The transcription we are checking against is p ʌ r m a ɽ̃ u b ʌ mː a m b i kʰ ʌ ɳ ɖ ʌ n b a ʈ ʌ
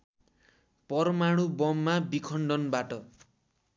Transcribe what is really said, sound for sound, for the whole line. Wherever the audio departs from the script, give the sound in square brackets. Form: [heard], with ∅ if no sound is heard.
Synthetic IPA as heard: p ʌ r m a ɽ̃ u b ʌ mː a [∅] b i kʰ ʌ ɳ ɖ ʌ n b a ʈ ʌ